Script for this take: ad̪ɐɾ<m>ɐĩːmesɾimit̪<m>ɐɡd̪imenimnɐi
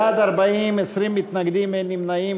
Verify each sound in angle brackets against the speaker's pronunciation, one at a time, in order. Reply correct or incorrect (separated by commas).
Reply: incorrect, incorrect